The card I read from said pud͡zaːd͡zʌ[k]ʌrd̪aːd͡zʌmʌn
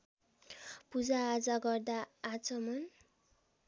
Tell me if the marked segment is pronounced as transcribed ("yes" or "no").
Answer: no